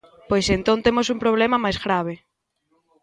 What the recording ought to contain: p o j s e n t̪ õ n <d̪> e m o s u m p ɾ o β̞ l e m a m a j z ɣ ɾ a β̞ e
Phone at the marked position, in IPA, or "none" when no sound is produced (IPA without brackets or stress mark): t̪